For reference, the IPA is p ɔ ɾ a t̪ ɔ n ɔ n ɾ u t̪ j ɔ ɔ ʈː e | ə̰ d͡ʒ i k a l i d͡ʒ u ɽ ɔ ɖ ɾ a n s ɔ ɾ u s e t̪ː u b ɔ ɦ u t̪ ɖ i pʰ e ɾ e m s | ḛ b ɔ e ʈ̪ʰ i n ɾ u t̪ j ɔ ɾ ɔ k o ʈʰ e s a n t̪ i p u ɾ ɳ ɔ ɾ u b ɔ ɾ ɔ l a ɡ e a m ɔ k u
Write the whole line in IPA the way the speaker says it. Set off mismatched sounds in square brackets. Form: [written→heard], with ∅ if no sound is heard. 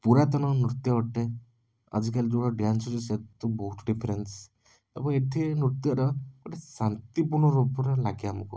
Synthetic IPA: p [ɔ→u] ɾ a t̪ ɔ n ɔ n ɾ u t̪ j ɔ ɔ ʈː e | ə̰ d͡ʒ i k a l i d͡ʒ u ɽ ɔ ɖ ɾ a n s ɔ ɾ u s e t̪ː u b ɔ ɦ u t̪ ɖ i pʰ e ɾ e [m→n] s | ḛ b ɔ e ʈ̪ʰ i n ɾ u t̪ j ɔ ɾ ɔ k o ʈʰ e s a n t̪ i p u ɾ ɳ ɔ ɾ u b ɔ ɾ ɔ l a ɡ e a m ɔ k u